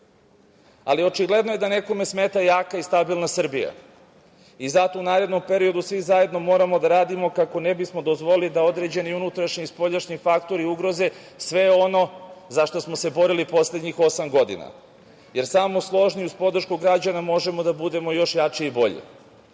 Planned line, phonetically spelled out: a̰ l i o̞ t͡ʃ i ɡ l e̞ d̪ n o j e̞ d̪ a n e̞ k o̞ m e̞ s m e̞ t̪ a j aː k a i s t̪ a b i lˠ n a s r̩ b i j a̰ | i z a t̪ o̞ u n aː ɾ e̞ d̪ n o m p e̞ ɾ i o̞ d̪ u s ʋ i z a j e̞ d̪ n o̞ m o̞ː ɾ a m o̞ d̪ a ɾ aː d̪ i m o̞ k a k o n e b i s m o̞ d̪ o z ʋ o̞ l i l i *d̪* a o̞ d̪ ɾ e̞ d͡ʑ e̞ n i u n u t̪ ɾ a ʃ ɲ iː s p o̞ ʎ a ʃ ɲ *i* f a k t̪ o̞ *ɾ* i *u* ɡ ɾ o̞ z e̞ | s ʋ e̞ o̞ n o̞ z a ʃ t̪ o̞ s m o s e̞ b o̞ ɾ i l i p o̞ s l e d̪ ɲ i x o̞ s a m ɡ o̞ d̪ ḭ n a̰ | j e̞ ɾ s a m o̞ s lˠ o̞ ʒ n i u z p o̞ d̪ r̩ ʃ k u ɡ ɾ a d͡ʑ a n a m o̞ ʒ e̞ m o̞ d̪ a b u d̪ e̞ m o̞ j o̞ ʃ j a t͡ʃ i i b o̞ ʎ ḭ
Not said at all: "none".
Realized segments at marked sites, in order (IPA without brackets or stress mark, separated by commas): d̪, i, ɾ, u